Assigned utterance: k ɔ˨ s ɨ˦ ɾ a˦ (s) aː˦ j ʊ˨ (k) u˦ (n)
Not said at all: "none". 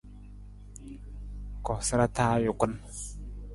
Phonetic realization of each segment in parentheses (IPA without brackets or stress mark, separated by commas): t, k, n